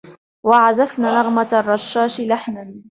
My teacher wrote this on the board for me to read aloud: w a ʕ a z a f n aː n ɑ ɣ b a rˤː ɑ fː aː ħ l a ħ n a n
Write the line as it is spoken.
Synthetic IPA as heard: w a ʕ a z a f n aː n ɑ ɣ m a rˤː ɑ ʃː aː ʃ l a ħ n a n

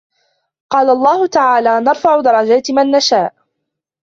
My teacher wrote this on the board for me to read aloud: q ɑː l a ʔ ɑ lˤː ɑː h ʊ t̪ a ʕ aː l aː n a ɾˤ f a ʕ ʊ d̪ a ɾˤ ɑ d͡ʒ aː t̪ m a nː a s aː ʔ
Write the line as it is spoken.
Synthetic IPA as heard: q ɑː l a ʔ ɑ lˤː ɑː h ʊ t̪ a ʕ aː l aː n ɑ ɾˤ f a ʕ ʊ d̪ ɑ ɾˤ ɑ d͡ʒ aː t̪ m a nː a ʃ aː ʔ

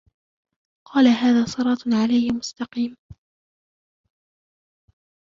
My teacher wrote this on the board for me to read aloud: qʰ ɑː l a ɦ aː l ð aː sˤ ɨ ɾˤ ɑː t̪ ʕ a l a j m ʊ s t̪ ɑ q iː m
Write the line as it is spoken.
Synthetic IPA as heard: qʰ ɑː l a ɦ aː ð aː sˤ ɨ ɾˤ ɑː t̪ ʕ a l a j m ʊ s t̪ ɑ q iː m

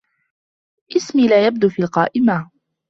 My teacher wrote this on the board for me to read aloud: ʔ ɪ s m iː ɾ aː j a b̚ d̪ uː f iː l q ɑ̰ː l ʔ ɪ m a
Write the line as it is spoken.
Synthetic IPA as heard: ʔ ɪ s m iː l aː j a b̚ d̪ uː f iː l q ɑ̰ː ʔ ɪ m a

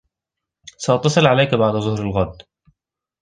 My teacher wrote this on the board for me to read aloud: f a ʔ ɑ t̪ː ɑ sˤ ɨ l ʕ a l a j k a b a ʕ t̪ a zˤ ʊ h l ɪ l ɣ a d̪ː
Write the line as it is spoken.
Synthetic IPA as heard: s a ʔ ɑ t̪ː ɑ sˤ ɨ l ʕ a l a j k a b a ʕ d̪ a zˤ ʊ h ɾ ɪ l ɣ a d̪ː

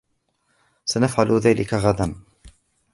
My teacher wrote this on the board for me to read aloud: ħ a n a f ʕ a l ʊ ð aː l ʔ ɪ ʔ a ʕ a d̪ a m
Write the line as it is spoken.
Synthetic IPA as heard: s a n a f ʕ a l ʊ ð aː l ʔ ɪ k a ɣ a d̪ a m

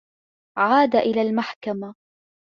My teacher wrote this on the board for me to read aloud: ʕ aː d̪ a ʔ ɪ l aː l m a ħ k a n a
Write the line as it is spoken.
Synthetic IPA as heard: ʕ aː d̪ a ʔ ɪ l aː l m a ħ k a m a

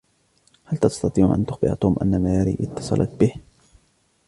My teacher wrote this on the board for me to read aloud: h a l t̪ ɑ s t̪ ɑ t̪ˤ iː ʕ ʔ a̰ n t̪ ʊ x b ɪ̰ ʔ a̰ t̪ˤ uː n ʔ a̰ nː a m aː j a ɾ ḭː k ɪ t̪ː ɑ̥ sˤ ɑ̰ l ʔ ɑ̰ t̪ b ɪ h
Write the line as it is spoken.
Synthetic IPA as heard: h a l t̪ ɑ s t̪ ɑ t̪ˤ iː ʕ ʔ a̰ n t̪ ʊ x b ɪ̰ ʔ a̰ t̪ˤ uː m ʔ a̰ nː a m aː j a ɾ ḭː ʔ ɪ t̪ː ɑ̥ sˤ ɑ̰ l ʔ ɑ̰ t̪ b ɪ h

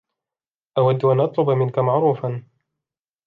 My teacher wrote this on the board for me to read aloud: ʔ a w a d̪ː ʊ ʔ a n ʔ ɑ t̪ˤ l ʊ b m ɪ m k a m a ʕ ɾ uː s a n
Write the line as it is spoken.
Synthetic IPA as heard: ʔ a w a d̪ː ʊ ʔ a n ʔ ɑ t̪ˤ l ʊ b m ɪ n k a m a ʕ ɾ uː f a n

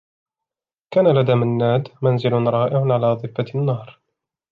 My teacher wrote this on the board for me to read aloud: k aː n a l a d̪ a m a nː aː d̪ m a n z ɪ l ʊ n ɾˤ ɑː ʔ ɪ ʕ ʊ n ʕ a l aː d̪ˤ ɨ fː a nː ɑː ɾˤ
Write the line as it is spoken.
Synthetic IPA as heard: k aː n a l a d̪ a m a nː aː d̪ m a n z ɪ l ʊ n ɾˤ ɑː ʔ ɪ ʕ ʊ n ʕ a l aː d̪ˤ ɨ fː a nː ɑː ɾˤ

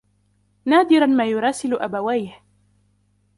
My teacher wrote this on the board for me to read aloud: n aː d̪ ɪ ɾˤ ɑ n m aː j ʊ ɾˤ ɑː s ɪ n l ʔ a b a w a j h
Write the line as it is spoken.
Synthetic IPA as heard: n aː d̪ ɪ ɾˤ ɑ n m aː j ʊ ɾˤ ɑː s ɪ l ʔ a b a w a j h

